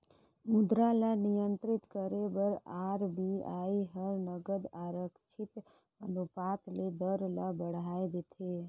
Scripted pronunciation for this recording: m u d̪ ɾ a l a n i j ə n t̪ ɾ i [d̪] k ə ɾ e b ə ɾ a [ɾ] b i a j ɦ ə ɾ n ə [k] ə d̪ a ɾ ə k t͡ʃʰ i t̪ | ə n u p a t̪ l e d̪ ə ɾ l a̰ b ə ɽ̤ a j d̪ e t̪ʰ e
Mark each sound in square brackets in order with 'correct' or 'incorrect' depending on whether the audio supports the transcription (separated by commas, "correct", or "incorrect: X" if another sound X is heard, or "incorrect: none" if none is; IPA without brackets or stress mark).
incorrect: t̪, correct, incorrect: ɡ